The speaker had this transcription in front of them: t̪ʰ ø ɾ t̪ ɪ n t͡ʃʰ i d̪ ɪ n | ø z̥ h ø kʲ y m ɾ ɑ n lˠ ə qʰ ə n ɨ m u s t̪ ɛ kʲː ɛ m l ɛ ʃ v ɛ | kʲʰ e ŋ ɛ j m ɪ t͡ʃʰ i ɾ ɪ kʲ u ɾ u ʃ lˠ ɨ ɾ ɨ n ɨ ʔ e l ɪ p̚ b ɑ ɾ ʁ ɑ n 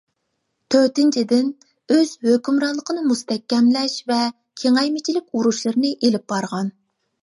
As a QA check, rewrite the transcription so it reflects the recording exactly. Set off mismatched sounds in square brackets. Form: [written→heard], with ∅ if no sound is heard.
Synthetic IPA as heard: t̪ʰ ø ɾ t̪ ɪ n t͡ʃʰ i d̪ ɪ n | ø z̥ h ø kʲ y m ɾ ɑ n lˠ ə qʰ ə n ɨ m u s t̪ ɛ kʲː ɛ m l ɛ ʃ v ɛ | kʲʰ e ŋ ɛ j m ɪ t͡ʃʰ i [ɾ→l] ɪ kʲ u ɾ u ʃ lˠ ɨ ɾ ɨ n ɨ ʔ e l ɪ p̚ b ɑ ɾ ʁ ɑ n